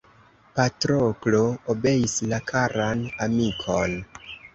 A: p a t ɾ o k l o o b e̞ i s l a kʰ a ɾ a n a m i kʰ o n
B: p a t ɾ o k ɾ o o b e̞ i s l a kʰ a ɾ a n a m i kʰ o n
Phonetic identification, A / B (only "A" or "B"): A